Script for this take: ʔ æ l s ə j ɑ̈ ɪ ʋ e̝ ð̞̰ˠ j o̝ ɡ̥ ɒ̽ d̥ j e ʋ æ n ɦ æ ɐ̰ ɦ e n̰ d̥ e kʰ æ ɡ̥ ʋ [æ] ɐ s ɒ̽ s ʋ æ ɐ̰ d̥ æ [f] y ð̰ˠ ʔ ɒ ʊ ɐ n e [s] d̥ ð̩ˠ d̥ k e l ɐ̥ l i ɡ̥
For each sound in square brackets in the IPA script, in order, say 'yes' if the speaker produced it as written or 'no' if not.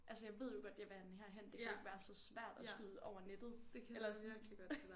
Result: no, no, no

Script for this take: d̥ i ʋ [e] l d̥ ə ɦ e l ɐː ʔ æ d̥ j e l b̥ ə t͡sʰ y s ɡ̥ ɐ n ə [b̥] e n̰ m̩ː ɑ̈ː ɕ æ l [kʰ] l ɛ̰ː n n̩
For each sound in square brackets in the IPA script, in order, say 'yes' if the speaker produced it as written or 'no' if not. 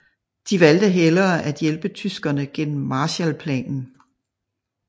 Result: no, no, no

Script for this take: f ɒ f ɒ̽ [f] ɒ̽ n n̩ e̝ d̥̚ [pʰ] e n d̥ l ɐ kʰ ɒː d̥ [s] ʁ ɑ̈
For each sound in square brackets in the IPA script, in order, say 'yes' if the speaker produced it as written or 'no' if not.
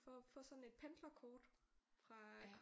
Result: no, yes, no

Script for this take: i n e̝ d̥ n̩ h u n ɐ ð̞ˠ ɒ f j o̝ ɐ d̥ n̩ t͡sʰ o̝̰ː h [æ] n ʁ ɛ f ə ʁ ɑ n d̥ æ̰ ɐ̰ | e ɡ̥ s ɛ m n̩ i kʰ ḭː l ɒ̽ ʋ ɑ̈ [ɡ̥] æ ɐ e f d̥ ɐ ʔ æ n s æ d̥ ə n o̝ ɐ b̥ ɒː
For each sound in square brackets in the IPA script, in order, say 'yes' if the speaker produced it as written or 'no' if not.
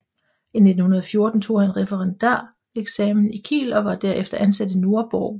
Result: yes, no

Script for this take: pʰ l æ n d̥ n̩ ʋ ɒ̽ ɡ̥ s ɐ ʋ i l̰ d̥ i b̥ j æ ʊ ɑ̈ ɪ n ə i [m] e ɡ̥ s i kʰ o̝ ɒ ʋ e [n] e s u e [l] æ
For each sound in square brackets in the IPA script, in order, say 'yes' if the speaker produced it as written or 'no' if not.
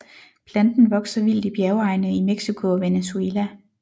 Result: yes, yes, yes

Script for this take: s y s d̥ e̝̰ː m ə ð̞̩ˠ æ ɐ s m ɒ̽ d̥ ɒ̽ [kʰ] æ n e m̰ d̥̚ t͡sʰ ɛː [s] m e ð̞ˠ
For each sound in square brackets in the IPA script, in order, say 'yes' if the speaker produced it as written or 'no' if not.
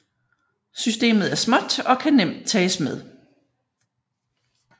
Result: yes, yes

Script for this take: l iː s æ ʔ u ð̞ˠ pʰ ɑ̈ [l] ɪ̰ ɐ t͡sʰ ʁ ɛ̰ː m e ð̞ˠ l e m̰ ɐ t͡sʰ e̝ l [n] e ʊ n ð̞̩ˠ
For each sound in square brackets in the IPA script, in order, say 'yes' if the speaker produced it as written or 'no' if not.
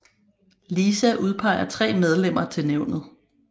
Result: no, yes

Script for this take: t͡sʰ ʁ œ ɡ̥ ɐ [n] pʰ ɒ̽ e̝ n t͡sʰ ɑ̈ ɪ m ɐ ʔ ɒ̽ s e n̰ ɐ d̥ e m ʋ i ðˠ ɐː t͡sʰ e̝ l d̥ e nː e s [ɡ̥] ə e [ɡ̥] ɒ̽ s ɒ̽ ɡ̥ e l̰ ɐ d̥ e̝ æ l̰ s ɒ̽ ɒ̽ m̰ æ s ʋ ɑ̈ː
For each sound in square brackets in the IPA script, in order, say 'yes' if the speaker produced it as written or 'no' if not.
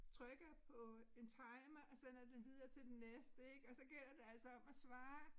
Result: no, no, yes

